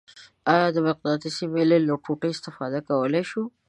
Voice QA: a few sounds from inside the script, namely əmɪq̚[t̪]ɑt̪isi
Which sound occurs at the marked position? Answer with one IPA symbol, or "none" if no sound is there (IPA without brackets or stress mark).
d̪